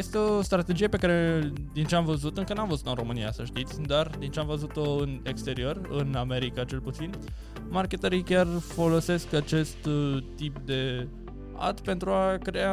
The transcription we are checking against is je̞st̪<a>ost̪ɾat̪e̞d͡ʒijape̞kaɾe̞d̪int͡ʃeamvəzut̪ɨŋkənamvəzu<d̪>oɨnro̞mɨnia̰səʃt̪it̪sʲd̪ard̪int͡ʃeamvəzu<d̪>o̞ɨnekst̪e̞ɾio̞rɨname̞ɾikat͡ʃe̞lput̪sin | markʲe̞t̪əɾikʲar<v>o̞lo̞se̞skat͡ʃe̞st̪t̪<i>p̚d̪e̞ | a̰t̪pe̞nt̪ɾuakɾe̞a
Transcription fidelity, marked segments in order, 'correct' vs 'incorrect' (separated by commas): incorrect, incorrect, incorrect, incorrect, correct